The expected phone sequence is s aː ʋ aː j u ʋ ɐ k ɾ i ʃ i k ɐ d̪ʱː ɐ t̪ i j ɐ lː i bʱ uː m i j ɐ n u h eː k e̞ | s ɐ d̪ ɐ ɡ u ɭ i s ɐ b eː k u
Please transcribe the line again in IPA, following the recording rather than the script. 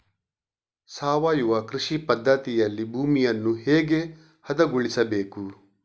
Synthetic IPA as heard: s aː ʋ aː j u ʋ ɐ k ɾ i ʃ i p ɐ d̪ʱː ɐ t̪ i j ɐ lː i bʱ uː m i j ɐ nː u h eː ɡ e̞ | h ɐ d̪ ɐ ɡ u ɭ i s ɐ b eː k u